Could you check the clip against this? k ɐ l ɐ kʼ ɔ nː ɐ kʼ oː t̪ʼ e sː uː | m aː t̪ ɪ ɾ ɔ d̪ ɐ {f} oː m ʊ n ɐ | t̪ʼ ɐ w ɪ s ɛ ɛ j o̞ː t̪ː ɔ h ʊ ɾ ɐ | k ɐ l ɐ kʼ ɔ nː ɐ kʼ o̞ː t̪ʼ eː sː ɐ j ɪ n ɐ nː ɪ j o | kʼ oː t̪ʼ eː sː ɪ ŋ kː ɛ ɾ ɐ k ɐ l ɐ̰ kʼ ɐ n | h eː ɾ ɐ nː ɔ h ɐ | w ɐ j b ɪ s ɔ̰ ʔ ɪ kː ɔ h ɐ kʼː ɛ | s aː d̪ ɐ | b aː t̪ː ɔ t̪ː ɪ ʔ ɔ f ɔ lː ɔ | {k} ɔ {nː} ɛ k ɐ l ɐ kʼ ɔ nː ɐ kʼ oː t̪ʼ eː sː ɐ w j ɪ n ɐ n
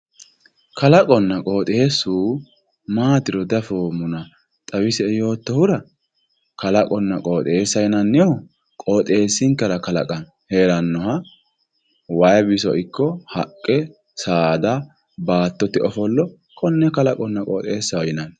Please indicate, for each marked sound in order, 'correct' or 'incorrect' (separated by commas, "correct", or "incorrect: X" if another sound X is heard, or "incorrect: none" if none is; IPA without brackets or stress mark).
correct, incorrect: kʼ, correct